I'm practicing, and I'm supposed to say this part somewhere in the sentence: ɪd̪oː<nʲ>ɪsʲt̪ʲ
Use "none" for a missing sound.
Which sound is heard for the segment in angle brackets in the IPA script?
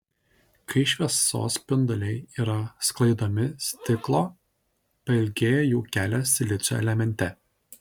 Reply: mʲ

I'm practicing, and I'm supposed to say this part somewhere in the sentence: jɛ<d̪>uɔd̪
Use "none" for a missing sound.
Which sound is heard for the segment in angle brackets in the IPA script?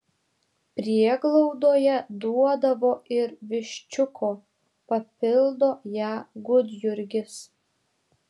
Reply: d̪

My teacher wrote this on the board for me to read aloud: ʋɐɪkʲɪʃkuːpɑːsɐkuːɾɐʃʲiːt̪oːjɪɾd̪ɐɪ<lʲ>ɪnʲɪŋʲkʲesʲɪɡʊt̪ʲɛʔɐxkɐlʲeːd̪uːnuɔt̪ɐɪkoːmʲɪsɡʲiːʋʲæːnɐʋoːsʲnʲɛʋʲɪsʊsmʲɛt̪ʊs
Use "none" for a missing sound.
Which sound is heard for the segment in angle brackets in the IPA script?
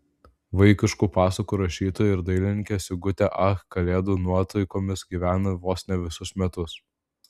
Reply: lʲ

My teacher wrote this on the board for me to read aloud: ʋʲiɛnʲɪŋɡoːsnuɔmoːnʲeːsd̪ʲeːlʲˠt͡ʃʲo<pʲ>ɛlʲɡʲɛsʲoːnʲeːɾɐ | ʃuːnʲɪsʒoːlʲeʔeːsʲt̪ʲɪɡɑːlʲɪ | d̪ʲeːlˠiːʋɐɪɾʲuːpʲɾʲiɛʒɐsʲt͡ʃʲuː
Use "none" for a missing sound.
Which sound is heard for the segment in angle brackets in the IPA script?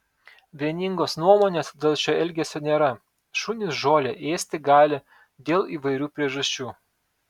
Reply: none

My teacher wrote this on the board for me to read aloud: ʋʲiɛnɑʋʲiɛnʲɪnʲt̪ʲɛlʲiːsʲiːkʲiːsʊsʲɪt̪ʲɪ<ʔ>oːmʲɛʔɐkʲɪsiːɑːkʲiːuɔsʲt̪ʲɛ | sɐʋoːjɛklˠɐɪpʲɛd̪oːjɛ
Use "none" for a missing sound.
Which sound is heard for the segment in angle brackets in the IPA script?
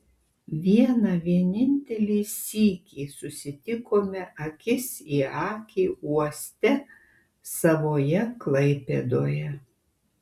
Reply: k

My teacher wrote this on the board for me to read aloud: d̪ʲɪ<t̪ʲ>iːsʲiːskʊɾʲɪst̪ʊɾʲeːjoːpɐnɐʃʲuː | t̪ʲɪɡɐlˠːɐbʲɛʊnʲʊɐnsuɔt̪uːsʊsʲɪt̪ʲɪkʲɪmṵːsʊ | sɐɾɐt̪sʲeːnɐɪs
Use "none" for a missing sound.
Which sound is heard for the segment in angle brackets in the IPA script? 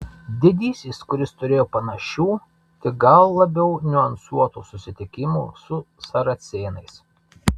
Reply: d̪ʲ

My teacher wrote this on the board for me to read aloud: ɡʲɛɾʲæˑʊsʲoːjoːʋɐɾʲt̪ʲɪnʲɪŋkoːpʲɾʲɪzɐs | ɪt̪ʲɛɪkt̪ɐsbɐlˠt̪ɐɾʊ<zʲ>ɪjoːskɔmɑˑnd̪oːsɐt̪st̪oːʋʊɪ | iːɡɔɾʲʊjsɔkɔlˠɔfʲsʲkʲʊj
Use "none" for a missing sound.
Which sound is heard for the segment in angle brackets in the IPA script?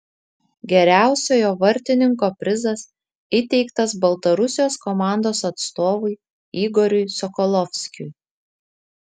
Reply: sʲ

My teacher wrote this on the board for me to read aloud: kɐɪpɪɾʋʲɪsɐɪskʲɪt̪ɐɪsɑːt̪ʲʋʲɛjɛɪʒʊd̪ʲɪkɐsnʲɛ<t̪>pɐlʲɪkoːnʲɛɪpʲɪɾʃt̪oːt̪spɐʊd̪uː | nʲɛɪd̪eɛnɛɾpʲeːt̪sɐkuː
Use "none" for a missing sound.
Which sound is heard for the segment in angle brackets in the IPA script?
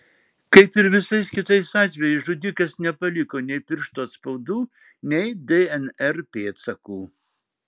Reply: none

